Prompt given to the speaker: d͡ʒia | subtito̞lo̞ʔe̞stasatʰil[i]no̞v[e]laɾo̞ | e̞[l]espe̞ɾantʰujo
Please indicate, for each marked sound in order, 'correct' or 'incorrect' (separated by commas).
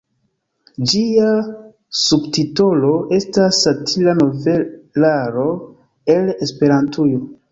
incorrect, correct, correct